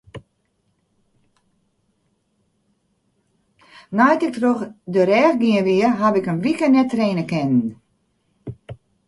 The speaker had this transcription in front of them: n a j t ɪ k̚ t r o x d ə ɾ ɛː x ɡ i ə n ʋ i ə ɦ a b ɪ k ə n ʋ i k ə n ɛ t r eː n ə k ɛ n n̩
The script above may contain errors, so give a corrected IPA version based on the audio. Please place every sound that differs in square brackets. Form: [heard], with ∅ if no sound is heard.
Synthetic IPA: n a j t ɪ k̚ t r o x d ə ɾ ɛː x ɡ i ə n ʋ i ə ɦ a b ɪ k ə n ʋ i k ə n ɛ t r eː n ə k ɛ n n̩